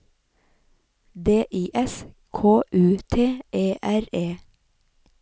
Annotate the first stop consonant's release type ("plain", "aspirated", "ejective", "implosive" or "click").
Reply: plain